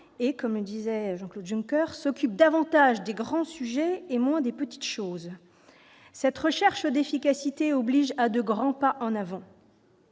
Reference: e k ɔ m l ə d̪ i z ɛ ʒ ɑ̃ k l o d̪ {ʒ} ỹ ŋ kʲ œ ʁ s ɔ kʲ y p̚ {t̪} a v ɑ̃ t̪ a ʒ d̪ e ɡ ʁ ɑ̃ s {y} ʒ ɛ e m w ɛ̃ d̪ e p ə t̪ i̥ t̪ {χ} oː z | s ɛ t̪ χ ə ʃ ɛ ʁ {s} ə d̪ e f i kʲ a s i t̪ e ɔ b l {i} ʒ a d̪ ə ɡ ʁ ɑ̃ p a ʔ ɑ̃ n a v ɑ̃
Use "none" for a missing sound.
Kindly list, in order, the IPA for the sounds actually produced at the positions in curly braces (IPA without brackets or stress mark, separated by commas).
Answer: ʒ, d̪, y, ʃ, ʃ, i